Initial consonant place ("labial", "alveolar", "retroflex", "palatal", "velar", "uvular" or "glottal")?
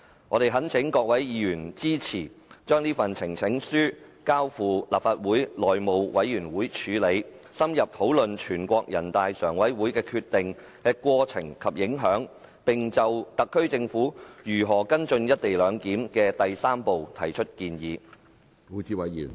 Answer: velar